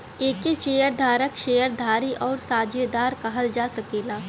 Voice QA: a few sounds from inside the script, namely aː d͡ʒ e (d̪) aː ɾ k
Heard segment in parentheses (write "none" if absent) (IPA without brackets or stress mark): d̪